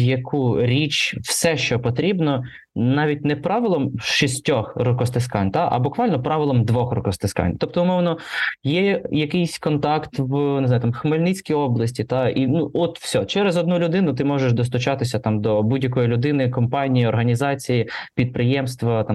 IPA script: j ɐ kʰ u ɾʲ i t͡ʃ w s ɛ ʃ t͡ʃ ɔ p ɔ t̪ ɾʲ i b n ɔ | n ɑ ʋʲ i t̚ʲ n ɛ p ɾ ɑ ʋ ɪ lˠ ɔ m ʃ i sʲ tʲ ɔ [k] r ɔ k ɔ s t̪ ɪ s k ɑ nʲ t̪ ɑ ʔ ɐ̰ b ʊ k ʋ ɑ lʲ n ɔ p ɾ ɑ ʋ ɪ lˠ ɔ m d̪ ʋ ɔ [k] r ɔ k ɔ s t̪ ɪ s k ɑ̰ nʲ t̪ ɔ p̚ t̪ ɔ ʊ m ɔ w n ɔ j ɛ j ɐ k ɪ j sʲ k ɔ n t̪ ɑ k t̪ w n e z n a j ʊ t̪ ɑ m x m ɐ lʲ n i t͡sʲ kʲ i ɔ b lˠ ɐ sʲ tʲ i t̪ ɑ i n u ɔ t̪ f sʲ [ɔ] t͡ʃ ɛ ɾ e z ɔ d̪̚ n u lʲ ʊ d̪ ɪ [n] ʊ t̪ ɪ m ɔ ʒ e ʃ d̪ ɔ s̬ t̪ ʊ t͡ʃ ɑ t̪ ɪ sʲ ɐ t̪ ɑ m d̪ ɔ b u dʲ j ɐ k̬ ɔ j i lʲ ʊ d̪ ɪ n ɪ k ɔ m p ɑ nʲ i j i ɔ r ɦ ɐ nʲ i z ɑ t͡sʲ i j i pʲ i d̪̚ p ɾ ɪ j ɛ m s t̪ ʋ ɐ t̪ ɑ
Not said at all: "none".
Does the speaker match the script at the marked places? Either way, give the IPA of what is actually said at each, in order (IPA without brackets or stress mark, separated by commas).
x, x, ɔ, n